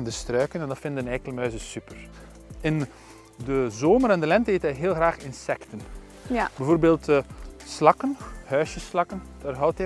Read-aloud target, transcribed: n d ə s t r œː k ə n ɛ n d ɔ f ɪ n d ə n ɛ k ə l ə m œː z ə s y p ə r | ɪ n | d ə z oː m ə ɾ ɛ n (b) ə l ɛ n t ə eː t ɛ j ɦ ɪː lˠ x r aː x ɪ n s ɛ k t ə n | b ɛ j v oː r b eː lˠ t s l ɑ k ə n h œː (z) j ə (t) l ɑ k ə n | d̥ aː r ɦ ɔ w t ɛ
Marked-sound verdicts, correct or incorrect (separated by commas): incorrect, incorrect, incorrect